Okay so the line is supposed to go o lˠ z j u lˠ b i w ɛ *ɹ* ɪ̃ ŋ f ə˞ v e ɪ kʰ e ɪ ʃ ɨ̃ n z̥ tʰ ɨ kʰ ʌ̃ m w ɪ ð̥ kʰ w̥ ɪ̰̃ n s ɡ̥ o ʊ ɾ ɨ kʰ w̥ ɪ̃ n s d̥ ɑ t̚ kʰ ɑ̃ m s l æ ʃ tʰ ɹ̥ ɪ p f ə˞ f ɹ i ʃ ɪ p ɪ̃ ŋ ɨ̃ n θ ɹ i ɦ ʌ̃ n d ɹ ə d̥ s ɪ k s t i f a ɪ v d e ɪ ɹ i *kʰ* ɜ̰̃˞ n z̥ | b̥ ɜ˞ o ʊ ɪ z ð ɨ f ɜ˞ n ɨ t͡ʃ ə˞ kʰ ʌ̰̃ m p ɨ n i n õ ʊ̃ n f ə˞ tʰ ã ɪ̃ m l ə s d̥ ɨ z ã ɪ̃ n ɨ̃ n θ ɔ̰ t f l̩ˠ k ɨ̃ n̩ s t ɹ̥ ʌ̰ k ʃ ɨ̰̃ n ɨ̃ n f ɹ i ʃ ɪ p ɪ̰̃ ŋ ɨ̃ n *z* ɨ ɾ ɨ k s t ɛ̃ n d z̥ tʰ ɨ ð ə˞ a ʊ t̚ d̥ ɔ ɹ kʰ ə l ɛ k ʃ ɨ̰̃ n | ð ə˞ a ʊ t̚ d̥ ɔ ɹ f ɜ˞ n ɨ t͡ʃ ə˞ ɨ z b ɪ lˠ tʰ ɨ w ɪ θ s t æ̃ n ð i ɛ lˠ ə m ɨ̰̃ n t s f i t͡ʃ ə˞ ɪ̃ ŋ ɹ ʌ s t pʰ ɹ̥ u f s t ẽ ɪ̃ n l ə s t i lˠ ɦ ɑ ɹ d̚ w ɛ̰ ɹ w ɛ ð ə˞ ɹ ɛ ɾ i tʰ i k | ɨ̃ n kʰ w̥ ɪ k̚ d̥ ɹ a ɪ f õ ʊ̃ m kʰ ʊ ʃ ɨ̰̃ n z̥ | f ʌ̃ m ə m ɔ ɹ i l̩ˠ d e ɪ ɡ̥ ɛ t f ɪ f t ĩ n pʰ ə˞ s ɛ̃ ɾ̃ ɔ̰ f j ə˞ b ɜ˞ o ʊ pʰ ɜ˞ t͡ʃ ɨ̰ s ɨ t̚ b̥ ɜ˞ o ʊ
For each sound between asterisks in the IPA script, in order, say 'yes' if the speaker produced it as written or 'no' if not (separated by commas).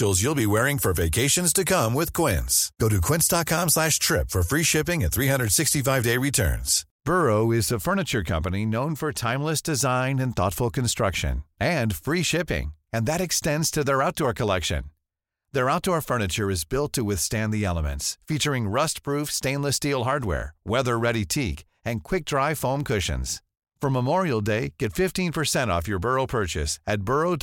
yes, no, no